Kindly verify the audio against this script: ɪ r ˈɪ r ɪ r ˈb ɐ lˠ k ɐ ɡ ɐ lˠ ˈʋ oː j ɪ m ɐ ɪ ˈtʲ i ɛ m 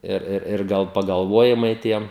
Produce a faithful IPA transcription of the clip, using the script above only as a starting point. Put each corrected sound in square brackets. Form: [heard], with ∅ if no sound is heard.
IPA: ɪ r ˈɪ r ɪ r [ˈɡ] ɐ lˠ [p] ɐ ɡ ɐ lˠ ˈʋ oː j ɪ m ɐ ɪ ˈtʲ i ɛ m